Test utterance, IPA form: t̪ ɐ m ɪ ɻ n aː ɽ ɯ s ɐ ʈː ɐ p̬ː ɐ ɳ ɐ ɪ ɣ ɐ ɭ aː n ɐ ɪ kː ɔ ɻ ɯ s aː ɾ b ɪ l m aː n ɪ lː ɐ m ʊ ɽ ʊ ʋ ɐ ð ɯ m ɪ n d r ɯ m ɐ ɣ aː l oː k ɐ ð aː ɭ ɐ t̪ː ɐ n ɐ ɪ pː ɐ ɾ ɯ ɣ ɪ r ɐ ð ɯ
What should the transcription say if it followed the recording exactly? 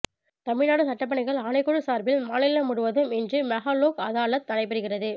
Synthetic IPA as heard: t̪ ɐ m ɪ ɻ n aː ɽ ɯ s ɐ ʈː ɐ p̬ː ɐ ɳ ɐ ɪ ɣ ɐ ɭ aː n ɐ ɪ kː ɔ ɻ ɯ s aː ɾ b ɪ l m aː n ɪ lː ɐ m ʊ ɽ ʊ ʋ ɐ ð ɯ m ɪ n d r ɯ m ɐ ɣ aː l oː k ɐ ð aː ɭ ɐ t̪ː ɐ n ɐ ɪ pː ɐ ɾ ɯ ɣ ɪ r ɐ ð ɯ